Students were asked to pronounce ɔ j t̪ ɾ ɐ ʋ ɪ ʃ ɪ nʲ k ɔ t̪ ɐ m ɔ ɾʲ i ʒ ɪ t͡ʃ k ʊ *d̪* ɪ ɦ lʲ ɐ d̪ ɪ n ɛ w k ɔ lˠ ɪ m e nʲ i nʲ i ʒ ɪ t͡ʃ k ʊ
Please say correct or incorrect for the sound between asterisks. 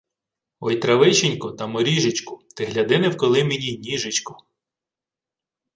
incorrect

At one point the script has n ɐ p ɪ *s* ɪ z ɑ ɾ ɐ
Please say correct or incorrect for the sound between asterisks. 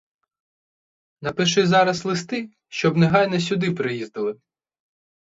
incorrect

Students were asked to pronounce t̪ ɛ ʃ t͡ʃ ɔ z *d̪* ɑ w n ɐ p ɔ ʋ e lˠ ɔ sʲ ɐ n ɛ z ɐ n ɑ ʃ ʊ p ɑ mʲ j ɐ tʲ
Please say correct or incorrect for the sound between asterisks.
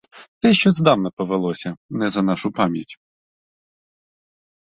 correct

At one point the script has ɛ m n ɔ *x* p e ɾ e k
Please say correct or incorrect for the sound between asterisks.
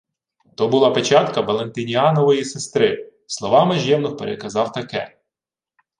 correct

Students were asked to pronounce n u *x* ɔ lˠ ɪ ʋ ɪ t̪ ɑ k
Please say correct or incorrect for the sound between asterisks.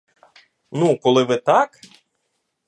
incorrect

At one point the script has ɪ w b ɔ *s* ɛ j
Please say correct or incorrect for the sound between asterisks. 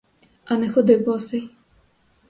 correct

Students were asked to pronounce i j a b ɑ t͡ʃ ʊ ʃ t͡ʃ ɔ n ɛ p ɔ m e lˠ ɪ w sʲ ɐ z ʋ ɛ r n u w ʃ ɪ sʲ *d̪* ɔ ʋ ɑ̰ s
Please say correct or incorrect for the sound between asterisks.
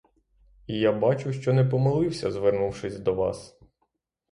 correct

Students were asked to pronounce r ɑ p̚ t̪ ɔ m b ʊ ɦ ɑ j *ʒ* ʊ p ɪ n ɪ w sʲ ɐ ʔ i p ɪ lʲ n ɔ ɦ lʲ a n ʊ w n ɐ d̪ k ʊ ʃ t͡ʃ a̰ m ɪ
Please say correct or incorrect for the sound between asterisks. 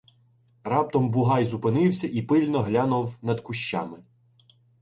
incorrect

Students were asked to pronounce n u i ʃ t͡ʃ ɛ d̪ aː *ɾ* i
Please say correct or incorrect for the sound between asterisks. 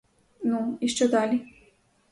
incorrect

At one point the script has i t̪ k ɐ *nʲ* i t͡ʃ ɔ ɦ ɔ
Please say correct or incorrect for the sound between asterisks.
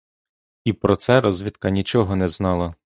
correct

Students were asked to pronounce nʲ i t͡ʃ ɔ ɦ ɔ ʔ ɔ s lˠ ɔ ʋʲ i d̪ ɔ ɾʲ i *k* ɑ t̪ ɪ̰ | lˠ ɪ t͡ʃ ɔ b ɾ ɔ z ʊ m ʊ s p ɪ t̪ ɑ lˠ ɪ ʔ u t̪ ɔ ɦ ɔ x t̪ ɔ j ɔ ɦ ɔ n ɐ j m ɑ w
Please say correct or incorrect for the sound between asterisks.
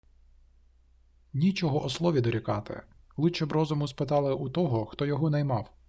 correct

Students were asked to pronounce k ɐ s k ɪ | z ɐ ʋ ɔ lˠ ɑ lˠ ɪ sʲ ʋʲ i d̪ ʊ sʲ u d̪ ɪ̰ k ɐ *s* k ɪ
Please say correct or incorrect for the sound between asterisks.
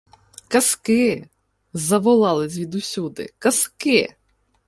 correct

